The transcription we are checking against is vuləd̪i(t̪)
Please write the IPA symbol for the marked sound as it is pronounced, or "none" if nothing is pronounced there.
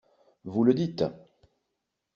t̪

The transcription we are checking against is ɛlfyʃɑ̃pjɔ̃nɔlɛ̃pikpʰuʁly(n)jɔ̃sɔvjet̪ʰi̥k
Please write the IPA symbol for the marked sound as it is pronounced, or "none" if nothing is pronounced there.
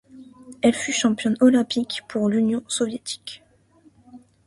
n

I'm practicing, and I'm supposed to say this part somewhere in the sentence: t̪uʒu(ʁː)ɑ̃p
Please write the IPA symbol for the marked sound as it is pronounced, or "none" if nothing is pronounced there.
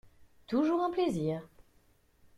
ʁ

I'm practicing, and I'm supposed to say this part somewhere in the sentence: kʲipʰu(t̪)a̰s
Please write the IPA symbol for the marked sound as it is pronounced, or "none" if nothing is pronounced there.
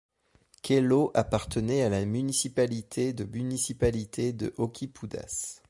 d̪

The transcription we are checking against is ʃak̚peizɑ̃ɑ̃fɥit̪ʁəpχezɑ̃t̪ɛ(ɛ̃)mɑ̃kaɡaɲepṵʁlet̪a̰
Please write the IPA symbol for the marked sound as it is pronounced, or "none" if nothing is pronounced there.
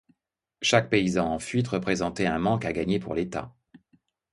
ɛ̃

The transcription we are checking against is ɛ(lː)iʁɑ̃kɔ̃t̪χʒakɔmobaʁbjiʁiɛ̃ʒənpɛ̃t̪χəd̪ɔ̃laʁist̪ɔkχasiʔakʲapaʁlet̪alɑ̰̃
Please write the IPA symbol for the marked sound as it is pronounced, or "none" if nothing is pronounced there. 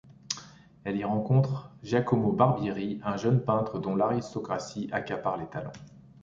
l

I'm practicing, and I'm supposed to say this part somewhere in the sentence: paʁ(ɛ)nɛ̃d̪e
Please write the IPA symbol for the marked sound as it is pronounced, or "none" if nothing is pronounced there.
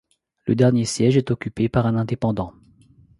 ɛ̃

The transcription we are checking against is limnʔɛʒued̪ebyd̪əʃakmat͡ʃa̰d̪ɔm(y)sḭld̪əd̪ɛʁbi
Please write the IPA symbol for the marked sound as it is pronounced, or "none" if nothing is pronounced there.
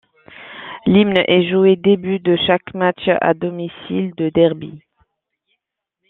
i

